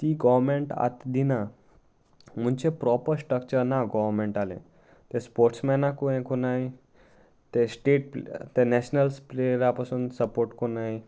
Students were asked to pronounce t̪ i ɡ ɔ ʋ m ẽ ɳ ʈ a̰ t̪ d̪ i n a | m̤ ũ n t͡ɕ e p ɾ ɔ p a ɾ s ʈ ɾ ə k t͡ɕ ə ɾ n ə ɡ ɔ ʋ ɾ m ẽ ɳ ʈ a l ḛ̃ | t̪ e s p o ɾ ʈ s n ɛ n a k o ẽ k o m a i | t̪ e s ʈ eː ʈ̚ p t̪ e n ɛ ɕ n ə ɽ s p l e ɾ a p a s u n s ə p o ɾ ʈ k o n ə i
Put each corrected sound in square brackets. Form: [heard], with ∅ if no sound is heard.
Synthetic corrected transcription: t̪ i ɡ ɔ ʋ m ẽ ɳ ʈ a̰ t̪ d̪ i n a | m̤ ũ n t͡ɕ e p ɾ ɔ p [ə] ɾ s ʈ ɾ ə k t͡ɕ ə ɾ n [a] ɡ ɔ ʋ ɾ m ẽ ɳ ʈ a l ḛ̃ | t̪ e s p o ɾ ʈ s [m] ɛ n a k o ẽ k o [n] a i | t̪ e s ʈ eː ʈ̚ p t̪ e n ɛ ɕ n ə [l] s p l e ɾ a p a s u n s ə p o ɾ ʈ k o n [a] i

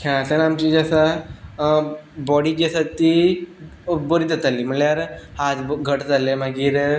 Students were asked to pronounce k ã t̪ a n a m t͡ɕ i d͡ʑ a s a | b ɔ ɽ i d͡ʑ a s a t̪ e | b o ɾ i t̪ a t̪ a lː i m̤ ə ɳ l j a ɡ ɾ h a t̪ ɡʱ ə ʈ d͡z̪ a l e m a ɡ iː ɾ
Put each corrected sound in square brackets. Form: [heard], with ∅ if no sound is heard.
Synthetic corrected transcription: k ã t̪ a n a m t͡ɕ i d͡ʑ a s a | b ɔ ɽ i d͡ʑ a s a t̪ [i] | b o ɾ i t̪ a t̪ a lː i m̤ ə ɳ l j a [∅] ɾ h a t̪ ɡʱ ə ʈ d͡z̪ a l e m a ɡ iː ɾ

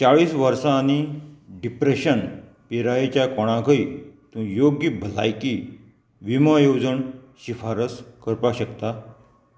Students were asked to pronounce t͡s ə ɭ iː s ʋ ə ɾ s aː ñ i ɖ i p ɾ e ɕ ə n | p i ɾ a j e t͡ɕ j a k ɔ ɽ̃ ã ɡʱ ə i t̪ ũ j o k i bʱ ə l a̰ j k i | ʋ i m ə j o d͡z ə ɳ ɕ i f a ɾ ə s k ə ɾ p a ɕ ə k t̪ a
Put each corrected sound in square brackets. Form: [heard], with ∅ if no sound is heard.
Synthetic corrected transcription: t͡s [a] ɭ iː s ʋ ə ɾ s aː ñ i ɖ i p ɾ e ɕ ə n | p i ɾ a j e t͡ɕ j a k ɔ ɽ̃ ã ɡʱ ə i t̪ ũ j o [ɡ] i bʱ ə l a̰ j k i | ʋ i m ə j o d͡z ə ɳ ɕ i f a ɾ ə s k ə ɾ p a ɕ ə k t̪ a

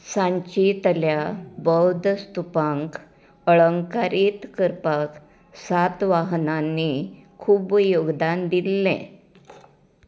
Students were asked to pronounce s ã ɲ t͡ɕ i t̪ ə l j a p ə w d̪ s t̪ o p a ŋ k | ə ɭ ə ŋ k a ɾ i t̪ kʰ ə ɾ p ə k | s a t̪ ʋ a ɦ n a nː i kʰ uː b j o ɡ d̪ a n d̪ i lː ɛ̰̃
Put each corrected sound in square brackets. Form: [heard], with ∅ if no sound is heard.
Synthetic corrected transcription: s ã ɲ t͡ɕ i t̪ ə l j a [b] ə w d̪ s t̪ [u] p a ŋ k | ə ɭ ə ŋ k a ɾ i t̪ [k] ə ɾ p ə k | s a t̪ ʋ a ɦ n a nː i kʰ uː b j o ɡ d̪ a n d̪ i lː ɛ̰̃

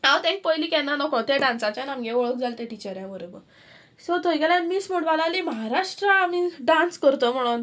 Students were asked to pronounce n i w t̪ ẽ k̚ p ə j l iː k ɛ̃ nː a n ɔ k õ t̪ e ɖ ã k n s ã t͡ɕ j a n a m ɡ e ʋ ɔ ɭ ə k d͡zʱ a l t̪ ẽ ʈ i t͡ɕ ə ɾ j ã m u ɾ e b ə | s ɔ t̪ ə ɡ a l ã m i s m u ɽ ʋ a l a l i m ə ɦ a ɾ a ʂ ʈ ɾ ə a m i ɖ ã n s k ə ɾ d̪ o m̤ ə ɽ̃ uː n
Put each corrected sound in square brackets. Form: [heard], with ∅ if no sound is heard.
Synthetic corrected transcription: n [a] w t̪ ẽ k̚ p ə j l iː k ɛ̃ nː a n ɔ k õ t̪ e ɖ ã [∅] n s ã t͡ɕ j a n a m ɡ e ʋ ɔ ɭ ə k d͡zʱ a l t̪ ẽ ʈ i t͡ɕ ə ɾ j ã m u ɾ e b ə | s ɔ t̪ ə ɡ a l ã m i s m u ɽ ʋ a l a l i m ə ɦ a ɾ a ʂ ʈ ɾ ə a m i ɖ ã n s k ə ɾ [t̪] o m̤ ə ɽ̃ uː n

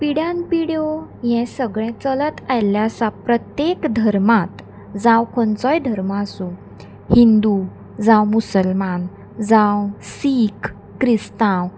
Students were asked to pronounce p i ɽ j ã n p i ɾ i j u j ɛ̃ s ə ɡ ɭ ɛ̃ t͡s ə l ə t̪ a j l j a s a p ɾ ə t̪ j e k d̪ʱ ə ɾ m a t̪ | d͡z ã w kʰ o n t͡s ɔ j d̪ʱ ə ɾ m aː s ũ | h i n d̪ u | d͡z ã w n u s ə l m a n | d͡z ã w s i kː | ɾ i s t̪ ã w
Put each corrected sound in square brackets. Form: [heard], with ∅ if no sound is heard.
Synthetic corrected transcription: p i ɽ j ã n p i [ɽ] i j [o] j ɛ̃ s ə ɡ ɭ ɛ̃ t͡s ə l ə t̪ a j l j a s a p ɾ ə t̪ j e k d̪ʱ ə ɾ m a t̪ | d͡z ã w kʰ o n t͡s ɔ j d̪ʱ ə ɾ m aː s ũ | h i n d̪ u | d͡z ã w [m] u s ə l m a n | d͡z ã w s i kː | ɾ i s t̪ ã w

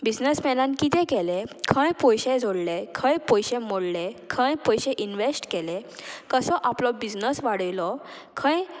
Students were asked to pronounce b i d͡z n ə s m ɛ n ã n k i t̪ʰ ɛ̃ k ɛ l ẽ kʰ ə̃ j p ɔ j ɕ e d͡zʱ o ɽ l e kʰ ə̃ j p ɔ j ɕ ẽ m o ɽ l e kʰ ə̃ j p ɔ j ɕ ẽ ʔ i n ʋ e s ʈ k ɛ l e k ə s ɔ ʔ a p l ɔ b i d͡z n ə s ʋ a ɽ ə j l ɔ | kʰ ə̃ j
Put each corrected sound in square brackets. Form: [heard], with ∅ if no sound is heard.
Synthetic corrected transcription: b i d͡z n ə s m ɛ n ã n k i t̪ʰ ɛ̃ k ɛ l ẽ kʰ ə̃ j p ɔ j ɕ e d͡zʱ o ɽ l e kʰ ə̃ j p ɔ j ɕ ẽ m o ɽ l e kʰ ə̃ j p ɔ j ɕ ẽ ʔ i n ʋ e s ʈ k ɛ l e k ə s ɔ ʔ a p l ɔ b i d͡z n ə s ʋ a ɽ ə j l ɔ | kʰ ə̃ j

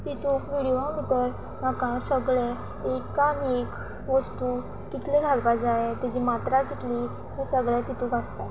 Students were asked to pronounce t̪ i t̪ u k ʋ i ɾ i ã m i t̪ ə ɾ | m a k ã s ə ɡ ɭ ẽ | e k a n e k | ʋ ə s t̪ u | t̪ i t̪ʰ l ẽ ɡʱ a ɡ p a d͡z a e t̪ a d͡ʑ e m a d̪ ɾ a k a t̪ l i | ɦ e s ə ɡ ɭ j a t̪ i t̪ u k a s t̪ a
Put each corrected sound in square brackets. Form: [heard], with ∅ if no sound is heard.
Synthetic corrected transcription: t̪ i t̪ u k ʋ i [ɽ] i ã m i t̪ ə ɾ | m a k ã s ə ɡ ɭ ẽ | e k a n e k | ʋ ə s t̪ u | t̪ i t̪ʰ l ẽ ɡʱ a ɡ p a d͡z a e t̪ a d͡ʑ [i] m a [t̪] ɾ a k [i] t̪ l i | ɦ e s ə ɡ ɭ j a t̪ i t̪ u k a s t̪ a

